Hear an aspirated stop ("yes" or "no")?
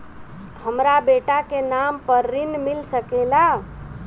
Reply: no